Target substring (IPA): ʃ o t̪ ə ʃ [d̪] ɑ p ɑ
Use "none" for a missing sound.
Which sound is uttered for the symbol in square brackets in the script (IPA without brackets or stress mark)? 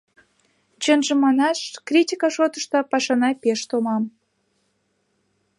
t̪